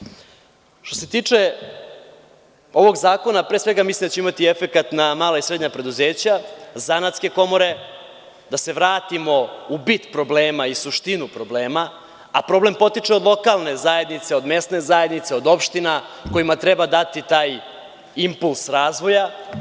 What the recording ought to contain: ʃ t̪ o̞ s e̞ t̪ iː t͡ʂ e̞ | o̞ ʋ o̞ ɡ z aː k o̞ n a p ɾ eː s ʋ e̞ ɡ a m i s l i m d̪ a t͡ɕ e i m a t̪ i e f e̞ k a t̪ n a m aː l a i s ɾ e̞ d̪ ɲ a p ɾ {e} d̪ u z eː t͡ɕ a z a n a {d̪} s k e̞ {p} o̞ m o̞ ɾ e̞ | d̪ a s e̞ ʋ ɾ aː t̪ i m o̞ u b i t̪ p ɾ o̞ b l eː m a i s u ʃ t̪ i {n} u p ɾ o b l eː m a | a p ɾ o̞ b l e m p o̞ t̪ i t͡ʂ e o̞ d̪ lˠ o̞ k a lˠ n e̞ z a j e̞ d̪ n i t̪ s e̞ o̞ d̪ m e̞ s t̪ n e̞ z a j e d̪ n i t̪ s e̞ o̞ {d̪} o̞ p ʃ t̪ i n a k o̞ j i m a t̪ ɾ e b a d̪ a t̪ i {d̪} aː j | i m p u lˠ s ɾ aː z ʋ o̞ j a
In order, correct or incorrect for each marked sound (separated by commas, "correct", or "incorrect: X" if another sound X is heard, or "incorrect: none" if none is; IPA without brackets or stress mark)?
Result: correct, incorrect: t̪, incorrect: k, correct, correct, incorrect: t̪